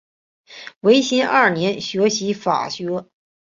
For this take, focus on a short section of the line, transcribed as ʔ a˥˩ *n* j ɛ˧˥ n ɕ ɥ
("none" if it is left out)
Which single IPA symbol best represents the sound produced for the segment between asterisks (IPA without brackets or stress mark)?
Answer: n